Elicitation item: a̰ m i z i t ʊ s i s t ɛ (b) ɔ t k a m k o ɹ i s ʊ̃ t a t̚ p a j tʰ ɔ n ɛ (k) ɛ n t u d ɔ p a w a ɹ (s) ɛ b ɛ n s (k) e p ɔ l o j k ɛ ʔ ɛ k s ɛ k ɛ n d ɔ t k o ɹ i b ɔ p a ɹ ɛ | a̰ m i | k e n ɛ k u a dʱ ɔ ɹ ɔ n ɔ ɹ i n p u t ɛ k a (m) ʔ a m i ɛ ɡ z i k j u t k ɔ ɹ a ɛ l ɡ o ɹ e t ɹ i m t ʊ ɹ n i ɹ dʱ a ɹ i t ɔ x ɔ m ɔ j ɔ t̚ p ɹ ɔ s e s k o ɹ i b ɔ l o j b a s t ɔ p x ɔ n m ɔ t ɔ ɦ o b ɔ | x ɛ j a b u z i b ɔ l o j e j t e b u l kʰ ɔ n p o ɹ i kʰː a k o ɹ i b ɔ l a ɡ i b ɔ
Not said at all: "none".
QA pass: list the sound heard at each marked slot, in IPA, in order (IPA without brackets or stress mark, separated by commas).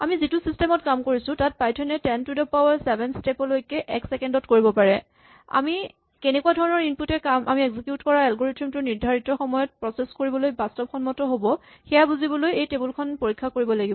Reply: m, t, s, t, m